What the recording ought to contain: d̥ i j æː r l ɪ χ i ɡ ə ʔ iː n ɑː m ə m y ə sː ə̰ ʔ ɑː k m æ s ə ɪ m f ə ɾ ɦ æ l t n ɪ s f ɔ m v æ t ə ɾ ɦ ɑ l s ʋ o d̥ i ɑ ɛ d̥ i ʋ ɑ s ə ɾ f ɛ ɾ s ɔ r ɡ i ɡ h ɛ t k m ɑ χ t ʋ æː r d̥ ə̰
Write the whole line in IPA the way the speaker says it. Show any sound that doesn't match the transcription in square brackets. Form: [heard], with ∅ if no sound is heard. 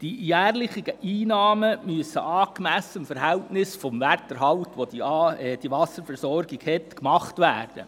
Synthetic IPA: d̥ i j æː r l ɪ χ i ɡ ə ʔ iː n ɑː m ə m y ə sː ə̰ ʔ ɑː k m æ s ə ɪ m f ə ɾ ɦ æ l t n ɪ s f ɔ m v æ t ə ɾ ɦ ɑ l [t] ʋ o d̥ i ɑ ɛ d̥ i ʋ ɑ s ə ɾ f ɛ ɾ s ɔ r ɡ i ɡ h ɛ t k m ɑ χ t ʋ æː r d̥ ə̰